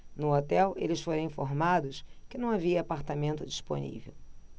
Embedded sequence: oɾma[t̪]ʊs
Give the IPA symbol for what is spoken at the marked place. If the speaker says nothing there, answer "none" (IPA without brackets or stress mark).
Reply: d̪